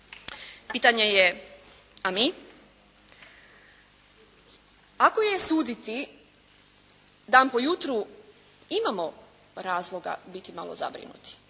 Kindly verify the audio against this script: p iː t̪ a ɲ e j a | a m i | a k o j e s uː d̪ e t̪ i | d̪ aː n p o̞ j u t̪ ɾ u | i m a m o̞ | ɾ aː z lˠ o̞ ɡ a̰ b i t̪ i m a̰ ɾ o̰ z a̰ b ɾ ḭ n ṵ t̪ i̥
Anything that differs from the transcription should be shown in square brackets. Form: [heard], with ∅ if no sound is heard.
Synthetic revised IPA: p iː t̪ a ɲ e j [e] | a m i | a k o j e s uː d̪ [i] t̪ i | d̪ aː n p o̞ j u t̪ ɾ u | i m a m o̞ | ɾ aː z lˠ o̞ ɡ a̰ b i t̪ i m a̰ [l] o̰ z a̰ b ɾ ḭ n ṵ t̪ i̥